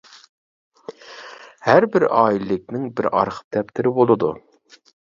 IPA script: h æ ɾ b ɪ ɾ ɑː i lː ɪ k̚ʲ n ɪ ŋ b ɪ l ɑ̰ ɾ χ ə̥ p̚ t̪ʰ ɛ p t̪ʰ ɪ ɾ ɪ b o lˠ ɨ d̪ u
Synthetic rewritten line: h æ ɾ b ɪ ɾ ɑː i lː ɪ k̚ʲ n ɪ ŋ b ɪ ɾ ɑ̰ ɾ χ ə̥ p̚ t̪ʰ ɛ p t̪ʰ ɪ ɾ ɪ b o lˠ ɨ d̪ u